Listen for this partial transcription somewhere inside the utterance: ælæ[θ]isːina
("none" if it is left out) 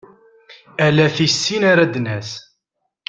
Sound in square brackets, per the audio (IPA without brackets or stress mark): θ